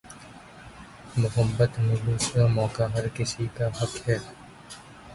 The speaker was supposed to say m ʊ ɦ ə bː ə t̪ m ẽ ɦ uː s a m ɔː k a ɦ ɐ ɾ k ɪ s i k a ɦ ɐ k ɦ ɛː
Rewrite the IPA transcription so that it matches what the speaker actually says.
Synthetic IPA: m ʊ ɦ ə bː ə t̪ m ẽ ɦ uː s a m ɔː k a ɦ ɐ ɾ k ɪ s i k a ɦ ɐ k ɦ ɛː